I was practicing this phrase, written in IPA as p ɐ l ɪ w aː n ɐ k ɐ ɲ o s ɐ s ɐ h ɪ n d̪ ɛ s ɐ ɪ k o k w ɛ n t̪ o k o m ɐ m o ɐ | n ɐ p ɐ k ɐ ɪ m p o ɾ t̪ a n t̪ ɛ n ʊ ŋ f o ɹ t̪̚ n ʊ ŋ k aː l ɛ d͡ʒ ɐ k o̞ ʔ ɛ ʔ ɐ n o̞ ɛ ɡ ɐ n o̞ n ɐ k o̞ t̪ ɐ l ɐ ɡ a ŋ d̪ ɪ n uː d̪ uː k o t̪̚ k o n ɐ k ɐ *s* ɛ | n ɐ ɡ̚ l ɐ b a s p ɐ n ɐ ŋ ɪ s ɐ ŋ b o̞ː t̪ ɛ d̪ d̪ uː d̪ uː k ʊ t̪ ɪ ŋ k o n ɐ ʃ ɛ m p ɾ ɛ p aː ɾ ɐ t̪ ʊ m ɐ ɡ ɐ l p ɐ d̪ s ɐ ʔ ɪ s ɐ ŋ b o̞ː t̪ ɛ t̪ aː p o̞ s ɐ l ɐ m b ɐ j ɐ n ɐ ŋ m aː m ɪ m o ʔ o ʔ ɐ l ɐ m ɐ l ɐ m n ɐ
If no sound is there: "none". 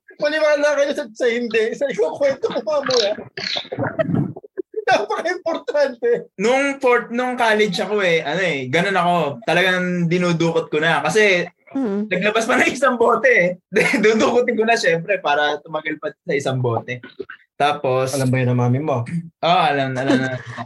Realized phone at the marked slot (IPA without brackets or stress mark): s